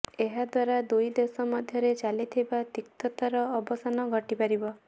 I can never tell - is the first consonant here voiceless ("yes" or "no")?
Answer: no